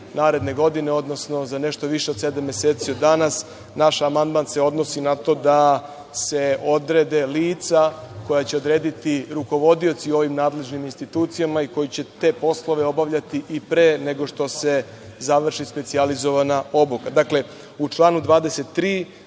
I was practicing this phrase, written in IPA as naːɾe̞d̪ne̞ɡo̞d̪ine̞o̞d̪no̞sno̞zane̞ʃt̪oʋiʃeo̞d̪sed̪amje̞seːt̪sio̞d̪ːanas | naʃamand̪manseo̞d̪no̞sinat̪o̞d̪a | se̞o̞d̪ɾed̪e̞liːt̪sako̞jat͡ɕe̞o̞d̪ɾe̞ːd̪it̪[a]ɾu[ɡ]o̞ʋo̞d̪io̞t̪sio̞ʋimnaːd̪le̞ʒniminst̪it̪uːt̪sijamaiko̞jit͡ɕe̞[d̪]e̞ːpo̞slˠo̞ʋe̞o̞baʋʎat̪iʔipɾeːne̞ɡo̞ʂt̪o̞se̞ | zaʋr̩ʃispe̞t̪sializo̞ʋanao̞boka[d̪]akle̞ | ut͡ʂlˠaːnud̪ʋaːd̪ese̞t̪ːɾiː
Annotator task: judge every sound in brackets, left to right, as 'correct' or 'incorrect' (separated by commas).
incorrect, incorrect, incorrect, correct